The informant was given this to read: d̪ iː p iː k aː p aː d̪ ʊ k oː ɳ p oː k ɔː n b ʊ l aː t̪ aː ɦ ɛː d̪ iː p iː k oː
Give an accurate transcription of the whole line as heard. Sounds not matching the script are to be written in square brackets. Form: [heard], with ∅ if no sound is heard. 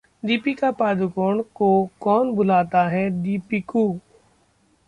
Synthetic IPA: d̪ iː p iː k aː p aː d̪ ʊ k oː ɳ [k] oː k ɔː n b ʊ l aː t̪ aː ɦ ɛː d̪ iː p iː k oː